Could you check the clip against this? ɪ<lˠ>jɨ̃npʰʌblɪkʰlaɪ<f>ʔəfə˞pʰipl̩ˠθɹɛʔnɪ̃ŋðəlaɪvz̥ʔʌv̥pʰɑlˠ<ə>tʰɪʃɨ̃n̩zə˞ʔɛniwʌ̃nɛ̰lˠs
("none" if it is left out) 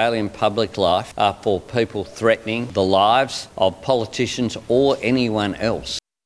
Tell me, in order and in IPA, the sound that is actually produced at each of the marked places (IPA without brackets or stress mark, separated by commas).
lˠ, f, ə